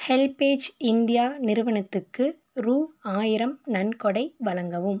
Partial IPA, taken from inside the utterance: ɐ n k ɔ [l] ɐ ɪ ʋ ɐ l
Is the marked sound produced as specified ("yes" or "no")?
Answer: no